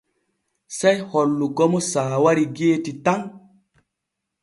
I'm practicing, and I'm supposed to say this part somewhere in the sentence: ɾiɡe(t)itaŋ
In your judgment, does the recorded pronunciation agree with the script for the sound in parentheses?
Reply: yes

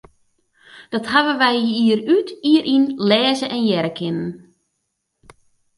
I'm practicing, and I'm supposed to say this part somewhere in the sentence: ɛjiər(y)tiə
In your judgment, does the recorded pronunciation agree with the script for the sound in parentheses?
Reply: yes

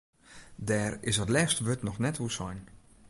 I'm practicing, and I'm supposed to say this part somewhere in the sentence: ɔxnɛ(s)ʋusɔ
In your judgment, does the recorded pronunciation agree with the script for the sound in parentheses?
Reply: no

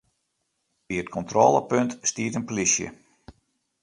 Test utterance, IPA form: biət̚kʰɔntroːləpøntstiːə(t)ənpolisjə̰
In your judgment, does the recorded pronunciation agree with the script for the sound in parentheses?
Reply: yes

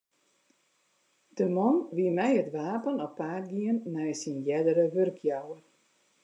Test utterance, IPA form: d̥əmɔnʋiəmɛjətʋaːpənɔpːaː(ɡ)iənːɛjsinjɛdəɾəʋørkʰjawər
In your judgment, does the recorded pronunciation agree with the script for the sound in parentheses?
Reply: yes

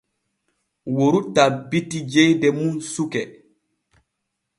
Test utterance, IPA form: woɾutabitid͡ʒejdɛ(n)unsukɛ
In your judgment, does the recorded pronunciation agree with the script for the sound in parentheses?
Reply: no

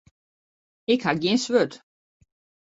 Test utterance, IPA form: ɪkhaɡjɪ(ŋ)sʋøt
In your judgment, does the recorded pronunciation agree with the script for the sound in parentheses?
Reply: no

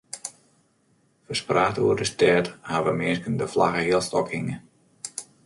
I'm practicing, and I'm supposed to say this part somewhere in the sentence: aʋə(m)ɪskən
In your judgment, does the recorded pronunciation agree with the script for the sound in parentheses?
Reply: yes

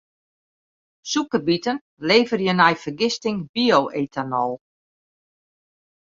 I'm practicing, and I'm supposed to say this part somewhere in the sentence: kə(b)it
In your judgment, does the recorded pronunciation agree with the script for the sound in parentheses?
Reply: yes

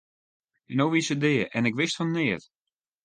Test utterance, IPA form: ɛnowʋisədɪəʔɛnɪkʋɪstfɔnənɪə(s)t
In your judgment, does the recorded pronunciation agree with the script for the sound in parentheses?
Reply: no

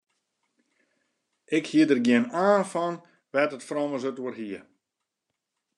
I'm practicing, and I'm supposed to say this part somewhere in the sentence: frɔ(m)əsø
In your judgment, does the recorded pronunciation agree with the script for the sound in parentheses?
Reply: yes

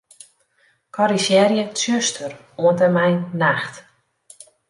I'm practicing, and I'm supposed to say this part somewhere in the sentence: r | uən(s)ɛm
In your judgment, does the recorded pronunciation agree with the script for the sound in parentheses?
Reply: no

